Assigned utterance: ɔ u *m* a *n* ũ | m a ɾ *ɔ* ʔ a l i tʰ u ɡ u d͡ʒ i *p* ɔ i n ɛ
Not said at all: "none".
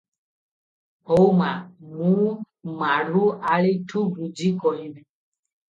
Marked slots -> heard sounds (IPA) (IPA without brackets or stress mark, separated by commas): m, m, u, k